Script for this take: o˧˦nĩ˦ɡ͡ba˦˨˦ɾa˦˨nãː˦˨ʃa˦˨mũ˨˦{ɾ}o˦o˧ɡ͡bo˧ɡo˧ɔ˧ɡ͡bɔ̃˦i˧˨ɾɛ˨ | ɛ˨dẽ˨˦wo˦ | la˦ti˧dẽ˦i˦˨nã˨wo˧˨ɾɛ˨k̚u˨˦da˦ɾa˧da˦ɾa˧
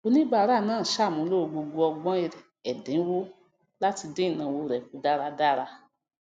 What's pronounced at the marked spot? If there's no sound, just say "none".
l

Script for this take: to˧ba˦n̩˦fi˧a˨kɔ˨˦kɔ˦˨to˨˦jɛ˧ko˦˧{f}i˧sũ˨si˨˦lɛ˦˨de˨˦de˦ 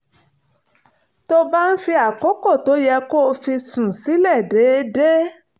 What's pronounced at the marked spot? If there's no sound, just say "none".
f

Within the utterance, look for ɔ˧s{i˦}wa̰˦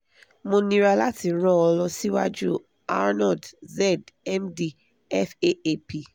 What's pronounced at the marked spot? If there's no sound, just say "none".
i˦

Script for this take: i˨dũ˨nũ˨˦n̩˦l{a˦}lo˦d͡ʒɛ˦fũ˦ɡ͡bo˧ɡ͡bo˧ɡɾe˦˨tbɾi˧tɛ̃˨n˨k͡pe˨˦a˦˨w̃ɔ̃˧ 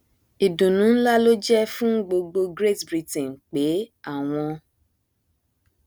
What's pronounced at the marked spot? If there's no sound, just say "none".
a˦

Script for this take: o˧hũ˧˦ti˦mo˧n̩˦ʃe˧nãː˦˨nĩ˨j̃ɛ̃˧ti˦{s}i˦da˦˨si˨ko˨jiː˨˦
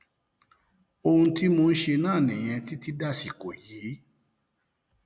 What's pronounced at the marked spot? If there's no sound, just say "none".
t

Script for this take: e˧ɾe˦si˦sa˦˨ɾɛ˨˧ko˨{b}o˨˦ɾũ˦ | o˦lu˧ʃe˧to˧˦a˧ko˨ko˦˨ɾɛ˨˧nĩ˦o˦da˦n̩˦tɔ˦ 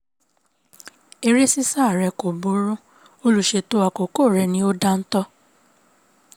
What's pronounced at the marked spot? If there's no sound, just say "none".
b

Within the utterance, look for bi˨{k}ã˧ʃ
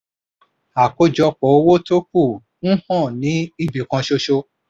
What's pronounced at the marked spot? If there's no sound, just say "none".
k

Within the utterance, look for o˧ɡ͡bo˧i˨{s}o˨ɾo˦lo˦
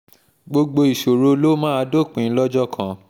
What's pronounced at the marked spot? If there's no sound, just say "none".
ʃ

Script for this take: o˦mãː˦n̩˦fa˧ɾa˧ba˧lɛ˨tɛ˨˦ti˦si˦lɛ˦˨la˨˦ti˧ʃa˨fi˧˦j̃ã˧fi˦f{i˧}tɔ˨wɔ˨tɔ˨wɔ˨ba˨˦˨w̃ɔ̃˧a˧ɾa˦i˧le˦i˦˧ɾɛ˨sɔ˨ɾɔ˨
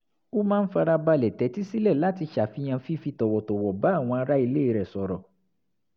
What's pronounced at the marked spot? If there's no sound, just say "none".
i˧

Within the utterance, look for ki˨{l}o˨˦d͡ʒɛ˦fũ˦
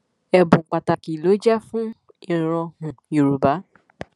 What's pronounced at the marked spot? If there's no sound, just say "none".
l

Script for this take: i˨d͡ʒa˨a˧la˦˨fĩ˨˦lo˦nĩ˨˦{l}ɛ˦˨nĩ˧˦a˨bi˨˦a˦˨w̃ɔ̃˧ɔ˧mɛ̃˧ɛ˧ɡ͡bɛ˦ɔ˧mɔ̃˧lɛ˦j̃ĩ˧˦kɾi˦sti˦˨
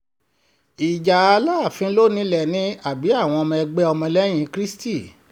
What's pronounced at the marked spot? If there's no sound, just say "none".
l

